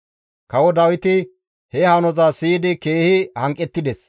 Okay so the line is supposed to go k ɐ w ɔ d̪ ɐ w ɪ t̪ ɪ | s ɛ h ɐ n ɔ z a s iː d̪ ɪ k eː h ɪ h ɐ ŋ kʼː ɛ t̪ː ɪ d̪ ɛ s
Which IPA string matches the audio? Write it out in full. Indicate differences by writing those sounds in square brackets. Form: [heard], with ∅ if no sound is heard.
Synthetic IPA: k ɐ w ɔ d̪ ɐ w ɪ t̪ ɪ | [h] ɛ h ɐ n ɔ z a s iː d̪ ɪ k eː h ɪ h ɐ ŋ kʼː ɛ t̪ː ɪ d̪ ɛ s